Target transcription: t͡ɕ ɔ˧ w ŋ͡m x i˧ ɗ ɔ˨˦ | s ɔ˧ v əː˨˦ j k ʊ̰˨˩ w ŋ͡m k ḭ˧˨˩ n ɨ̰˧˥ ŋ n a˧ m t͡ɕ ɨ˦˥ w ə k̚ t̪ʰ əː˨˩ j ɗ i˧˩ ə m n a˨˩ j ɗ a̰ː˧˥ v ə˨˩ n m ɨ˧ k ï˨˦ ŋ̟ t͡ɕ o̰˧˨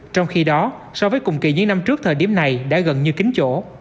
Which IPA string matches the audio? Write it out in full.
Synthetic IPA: t͡ɕ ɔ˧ w ŋ͡m x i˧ ɗ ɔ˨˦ | s ɔ˧ v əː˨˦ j k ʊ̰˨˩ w ŋ͡m k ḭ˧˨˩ ɲ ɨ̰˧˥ ŋ n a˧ m t͡ɕ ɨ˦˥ ə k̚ t̪ʰ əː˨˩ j ɗ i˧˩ ə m n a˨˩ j ɗ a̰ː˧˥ ɣ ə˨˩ n ɲ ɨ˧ k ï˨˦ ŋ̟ t͡ɕ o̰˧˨